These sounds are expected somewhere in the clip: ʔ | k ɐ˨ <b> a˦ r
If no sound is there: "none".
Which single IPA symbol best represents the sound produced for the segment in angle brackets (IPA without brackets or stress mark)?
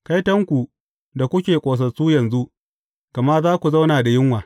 m